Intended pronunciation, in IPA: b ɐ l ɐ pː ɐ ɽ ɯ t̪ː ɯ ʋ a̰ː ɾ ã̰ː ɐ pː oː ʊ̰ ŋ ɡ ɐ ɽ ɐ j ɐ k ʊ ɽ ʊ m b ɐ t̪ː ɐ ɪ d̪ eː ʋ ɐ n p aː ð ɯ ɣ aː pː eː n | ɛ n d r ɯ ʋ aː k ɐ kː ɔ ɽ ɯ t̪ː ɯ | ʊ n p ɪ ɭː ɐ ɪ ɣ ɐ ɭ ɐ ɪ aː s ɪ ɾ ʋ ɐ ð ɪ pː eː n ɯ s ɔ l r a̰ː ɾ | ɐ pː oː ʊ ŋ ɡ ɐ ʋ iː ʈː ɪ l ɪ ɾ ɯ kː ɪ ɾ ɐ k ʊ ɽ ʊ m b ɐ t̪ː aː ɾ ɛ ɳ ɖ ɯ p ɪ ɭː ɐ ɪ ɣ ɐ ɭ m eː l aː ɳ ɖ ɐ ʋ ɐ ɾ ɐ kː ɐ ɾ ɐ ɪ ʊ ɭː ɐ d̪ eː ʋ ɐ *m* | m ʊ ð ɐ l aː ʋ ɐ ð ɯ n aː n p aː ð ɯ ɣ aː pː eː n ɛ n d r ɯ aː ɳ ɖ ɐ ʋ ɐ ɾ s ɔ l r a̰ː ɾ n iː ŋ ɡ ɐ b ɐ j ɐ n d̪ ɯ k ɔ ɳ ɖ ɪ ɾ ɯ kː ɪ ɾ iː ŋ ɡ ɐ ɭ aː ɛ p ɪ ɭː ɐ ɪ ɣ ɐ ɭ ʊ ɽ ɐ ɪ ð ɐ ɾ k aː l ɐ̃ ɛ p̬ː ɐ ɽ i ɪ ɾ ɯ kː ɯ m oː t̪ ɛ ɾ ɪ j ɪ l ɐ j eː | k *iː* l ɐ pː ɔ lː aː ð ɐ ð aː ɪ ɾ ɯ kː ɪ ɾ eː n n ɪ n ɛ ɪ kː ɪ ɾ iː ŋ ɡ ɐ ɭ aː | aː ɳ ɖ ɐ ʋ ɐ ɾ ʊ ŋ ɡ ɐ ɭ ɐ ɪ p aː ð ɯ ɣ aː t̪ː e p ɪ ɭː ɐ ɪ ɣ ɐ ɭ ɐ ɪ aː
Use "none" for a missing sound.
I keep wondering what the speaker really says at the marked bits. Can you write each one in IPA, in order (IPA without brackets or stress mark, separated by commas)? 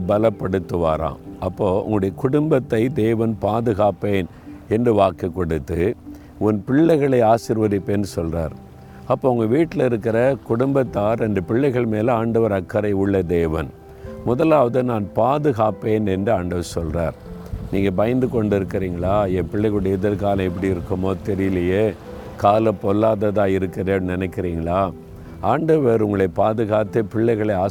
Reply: n, aː